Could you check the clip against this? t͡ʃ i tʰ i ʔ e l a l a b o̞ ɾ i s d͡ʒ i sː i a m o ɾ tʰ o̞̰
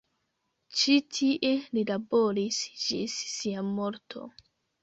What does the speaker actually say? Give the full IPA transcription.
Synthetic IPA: t͡ʃ i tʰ i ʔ e l i l a b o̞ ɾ i s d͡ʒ i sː i a m o ɾ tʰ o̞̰